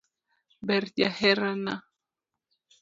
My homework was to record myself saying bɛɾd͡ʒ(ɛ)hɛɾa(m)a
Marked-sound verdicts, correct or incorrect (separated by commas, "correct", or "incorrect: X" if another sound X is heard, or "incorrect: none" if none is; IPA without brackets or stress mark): incorrect: a, incorrect: n